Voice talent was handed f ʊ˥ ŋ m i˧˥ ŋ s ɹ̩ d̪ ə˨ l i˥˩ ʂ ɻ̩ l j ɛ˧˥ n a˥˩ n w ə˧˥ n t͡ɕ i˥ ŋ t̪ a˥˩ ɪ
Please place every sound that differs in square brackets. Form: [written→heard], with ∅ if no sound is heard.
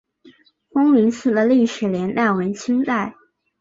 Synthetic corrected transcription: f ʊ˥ ŋ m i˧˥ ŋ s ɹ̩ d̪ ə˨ l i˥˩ ʂ ɻ̩ l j ɛ˧˥ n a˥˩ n w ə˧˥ n [t͡ɕ→t͡ɕʰ] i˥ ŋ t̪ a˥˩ ɪ